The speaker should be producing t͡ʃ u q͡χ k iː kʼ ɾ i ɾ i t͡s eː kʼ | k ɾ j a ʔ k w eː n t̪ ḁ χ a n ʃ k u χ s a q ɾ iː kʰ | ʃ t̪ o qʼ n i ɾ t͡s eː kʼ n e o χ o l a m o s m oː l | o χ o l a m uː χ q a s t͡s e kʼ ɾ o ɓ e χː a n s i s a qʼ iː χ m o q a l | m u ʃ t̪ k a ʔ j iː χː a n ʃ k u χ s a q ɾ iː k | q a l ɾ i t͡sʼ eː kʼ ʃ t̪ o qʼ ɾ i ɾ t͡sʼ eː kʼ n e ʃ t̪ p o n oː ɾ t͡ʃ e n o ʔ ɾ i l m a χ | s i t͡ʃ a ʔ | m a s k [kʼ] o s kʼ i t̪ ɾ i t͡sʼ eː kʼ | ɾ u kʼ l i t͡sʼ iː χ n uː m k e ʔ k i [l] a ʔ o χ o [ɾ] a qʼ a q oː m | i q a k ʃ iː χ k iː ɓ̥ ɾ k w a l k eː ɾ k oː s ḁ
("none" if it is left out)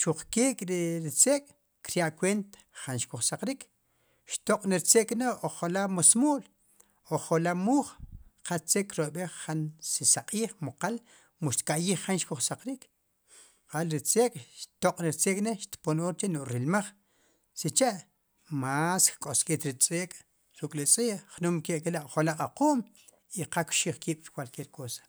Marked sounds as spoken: kʼ, l, l

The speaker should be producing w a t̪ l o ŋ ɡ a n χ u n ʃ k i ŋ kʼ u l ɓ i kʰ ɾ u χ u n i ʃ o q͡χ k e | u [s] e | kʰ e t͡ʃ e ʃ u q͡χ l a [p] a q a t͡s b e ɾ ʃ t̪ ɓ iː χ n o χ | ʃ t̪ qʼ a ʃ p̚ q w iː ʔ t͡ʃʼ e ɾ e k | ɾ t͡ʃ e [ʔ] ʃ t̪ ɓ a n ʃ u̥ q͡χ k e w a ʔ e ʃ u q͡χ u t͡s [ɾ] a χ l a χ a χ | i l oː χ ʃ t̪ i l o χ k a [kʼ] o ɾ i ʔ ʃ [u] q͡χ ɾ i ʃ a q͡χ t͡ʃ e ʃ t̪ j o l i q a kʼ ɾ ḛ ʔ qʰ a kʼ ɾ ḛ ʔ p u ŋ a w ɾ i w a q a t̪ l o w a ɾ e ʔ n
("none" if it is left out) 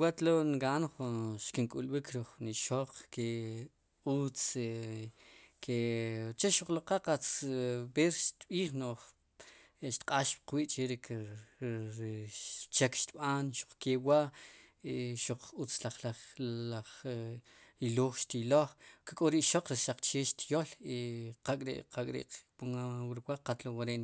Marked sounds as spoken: t͡s, q, k, l, kʼ, o

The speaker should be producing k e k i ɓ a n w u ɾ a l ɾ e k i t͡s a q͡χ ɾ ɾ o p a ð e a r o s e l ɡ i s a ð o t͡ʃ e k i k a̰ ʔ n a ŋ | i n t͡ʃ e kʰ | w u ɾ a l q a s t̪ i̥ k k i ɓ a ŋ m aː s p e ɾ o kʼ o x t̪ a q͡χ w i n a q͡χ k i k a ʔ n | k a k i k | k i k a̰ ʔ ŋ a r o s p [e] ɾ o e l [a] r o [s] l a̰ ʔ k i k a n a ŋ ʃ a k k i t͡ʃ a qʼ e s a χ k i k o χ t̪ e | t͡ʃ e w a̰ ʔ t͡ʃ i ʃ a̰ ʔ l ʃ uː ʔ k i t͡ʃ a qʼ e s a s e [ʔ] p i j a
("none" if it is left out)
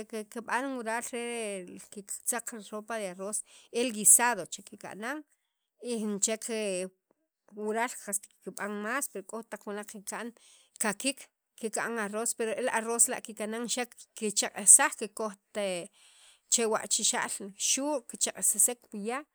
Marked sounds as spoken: e, a, s, k

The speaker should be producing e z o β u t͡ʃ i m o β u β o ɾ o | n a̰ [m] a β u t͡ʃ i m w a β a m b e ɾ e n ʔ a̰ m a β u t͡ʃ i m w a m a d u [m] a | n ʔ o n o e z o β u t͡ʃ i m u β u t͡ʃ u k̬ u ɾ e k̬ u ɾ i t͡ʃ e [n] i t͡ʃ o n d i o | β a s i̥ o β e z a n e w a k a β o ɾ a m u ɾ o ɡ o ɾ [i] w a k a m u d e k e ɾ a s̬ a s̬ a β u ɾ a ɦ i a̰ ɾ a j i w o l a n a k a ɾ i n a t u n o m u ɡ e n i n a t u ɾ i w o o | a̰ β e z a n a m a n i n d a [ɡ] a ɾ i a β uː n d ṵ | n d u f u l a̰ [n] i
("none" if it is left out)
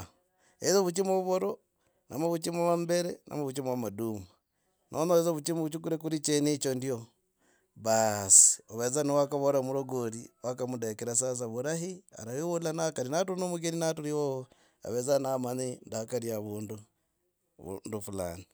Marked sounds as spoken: m, m, n, i, k, n

